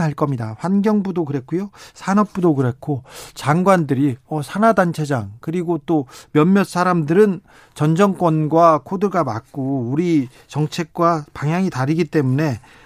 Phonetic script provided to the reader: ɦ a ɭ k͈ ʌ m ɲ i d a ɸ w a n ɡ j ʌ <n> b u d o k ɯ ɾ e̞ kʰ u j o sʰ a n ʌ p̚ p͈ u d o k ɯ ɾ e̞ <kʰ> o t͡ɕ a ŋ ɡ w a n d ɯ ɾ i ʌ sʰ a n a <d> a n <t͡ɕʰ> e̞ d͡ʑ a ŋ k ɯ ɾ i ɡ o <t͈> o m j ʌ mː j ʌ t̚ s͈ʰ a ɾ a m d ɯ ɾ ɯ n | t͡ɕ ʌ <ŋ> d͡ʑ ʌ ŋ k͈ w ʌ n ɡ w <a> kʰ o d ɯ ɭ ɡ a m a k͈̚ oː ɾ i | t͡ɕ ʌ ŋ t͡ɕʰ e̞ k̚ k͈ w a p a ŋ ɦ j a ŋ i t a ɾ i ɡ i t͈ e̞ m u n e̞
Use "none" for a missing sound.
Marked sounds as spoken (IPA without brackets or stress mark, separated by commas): ŋ, kʰ, d, t͡ɕʰ, t͈, n, a